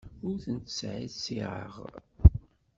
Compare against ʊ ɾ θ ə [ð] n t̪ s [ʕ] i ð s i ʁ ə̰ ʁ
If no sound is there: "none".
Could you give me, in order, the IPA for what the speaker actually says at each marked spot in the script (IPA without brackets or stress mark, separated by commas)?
none, ʕ